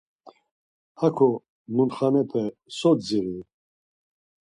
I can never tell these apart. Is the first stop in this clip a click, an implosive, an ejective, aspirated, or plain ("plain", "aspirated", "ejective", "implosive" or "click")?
aspirated